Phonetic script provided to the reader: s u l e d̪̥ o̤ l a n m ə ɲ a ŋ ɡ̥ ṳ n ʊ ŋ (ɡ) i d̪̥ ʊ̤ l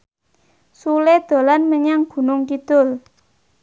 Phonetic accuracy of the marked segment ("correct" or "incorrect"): incorrect